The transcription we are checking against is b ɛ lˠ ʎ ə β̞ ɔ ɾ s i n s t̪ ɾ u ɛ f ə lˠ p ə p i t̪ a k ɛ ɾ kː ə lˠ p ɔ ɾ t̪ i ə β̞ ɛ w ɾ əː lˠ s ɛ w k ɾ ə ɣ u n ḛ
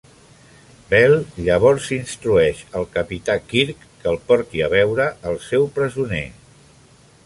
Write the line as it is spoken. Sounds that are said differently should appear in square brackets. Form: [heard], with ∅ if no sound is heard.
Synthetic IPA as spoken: b ɛ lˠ ʎ ə β̞ ɔ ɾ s i n s t̪ ɾ u ɛ [ʃ] ə lˠ [k] ə p i t̪ a k [i] ɾ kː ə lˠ p ɔ ɾ t̪ i ə β̞ ɛ w ɾ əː lˠ s ɛ w [p] ɾ ə [z] u n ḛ